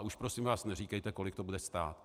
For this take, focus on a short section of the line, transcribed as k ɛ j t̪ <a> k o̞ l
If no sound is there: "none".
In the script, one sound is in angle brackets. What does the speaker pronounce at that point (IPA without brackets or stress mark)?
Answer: ɛ